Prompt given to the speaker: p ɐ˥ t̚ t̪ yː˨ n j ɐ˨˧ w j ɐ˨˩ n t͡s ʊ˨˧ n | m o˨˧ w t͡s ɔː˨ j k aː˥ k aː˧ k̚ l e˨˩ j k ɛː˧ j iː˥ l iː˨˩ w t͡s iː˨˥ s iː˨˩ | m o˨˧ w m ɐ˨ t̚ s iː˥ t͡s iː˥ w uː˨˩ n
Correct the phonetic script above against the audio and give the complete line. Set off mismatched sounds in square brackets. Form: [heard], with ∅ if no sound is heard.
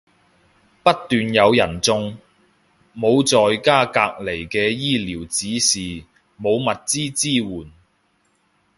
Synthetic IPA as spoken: p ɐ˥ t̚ t̪ yː˨ n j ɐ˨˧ w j ɐ˨˩ n t͡s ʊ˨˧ [ŋ] | m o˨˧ w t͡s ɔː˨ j k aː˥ k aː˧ k̚ l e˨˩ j k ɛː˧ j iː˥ l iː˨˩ w t͡s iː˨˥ s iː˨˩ | m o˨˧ w m ɐ˨ t̚ [t͡s] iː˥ t͡s iː˥ w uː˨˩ n